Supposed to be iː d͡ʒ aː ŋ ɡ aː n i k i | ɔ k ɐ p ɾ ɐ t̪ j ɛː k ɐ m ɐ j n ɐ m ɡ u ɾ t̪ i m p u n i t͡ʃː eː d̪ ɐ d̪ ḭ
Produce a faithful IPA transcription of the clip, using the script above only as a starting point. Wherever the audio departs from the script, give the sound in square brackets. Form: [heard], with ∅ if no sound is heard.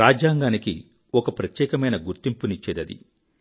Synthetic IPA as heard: [aː] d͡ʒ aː ŋ ɡ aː n i k i | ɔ k ɐ p ɾ ɐ t̪ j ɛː k ɐ m ɐ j n ɐ [∅] ɡ u ɾ t̪ i m p u n i t͡ʃː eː d̪ ɐ d̪ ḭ